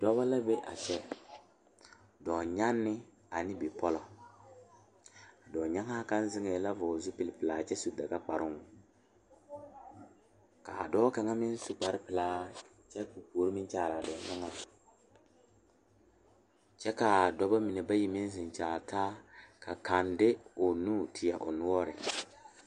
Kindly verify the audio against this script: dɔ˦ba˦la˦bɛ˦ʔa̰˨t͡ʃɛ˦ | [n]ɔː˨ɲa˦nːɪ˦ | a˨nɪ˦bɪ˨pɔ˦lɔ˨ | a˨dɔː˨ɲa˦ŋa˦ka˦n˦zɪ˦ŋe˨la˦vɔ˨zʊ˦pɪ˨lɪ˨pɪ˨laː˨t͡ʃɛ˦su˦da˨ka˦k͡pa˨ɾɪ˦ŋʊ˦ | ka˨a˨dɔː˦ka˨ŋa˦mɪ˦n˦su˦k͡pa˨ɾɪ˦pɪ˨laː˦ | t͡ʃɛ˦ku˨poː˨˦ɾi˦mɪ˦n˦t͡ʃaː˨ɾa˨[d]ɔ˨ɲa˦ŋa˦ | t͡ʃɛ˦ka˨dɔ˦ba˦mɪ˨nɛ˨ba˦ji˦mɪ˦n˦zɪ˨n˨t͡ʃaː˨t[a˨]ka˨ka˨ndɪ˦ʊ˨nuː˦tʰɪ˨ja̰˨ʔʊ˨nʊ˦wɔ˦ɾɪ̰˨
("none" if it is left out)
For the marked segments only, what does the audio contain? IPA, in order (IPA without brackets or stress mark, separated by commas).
d, d, a˦